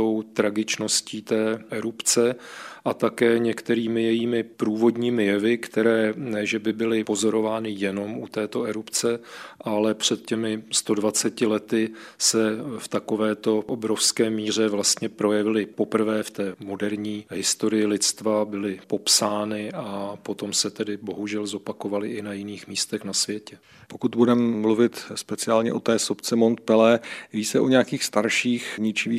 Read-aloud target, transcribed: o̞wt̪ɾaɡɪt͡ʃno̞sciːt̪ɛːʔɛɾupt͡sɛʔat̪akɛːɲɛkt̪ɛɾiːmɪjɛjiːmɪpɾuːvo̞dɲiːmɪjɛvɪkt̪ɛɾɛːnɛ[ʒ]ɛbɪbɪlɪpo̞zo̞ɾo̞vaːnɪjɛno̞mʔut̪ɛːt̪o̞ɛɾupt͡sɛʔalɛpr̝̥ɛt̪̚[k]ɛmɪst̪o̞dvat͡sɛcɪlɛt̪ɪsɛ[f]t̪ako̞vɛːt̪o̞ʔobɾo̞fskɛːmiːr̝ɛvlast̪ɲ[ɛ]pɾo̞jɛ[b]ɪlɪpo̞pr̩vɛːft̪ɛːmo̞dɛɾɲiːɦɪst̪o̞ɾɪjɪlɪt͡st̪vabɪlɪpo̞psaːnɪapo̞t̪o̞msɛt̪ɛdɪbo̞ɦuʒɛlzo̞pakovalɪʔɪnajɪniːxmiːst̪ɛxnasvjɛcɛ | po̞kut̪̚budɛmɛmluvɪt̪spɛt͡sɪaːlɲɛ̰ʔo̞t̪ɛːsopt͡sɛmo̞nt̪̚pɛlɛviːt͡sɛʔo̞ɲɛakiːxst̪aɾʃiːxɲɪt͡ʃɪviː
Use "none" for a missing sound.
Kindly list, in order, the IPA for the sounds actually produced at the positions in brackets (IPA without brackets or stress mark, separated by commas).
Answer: ʒ, c, f, ɛ, v